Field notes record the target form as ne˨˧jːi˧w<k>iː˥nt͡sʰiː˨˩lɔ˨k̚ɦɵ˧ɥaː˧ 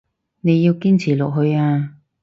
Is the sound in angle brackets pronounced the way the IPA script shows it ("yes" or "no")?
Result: yes